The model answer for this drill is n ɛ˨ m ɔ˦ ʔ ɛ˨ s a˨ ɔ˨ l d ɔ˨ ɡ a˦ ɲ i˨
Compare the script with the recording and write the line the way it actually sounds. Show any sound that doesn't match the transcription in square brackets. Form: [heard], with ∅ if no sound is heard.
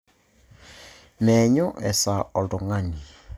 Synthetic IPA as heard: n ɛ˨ [ɲ] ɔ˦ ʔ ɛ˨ s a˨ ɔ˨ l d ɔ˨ [ŋ] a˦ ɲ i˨